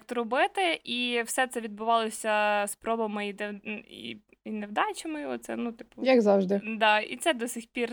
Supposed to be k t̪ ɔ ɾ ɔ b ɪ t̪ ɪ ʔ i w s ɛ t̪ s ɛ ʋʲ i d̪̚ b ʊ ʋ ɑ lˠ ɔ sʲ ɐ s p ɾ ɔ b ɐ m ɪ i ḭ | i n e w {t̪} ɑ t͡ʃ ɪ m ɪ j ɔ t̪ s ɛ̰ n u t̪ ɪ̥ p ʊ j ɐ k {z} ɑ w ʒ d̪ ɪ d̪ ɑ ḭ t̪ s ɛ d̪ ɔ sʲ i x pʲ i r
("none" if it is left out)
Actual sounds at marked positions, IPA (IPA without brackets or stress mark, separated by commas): d̪, z